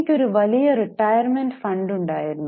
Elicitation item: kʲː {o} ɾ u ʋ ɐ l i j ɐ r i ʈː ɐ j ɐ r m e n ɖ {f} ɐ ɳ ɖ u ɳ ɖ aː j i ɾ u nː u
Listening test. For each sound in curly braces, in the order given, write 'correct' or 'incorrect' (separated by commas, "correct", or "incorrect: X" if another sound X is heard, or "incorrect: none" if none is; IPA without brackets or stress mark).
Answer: correct, correct